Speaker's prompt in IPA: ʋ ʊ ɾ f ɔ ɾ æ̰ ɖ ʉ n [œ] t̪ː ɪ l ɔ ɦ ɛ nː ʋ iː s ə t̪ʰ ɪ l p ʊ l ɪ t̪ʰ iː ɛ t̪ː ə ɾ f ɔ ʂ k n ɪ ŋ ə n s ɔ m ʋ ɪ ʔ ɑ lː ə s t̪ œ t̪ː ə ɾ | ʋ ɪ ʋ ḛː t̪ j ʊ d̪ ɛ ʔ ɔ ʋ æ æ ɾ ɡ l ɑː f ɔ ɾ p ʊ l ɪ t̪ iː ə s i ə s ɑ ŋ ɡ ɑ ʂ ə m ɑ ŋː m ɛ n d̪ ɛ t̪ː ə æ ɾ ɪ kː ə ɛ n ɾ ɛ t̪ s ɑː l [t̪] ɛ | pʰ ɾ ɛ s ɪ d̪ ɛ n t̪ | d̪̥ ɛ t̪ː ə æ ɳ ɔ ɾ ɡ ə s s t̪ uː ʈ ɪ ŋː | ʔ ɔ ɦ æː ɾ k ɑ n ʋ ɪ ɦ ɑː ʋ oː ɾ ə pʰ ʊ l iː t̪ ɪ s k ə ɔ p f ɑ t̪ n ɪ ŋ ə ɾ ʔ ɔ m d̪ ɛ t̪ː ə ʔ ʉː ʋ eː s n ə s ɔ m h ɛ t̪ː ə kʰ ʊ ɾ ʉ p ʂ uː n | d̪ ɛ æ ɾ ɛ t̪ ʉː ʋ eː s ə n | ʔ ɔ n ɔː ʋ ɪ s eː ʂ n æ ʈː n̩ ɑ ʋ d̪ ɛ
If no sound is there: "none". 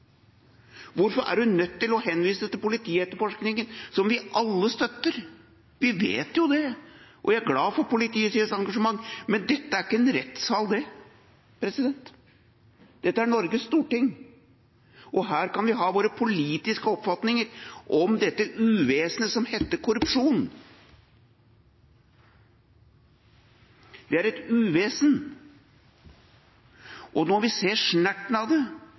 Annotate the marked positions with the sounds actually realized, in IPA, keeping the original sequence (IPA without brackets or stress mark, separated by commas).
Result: œ, d̪